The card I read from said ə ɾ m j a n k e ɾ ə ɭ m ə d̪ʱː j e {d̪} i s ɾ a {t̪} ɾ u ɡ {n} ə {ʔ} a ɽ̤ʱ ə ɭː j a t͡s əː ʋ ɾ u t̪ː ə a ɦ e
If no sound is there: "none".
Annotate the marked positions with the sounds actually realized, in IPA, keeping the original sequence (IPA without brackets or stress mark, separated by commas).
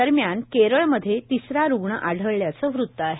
t̪, none, ɳ, ʔ